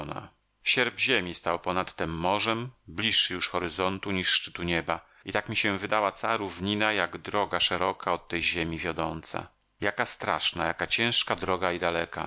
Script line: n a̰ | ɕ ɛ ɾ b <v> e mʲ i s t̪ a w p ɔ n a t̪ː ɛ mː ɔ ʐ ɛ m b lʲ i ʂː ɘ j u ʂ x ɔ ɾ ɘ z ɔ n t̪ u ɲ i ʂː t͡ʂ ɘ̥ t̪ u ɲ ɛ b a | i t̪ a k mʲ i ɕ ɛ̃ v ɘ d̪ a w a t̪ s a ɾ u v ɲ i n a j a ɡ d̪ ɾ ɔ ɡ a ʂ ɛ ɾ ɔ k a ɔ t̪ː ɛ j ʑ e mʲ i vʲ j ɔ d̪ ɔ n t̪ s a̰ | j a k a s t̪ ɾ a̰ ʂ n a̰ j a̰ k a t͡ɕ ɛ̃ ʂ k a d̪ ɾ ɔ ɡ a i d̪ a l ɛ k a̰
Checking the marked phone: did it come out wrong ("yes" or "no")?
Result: yes